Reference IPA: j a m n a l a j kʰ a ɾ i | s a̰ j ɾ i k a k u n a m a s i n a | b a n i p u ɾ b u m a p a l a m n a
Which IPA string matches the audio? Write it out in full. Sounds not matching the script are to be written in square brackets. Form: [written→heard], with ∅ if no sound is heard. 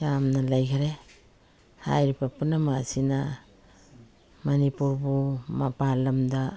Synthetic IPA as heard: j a m n a l a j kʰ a ɾ [i→e] | [s→h] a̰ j ɾ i [k→p] a [k→p] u n a m a s i n a | [b→m] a n i p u ɾ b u m a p a l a m [n→d] a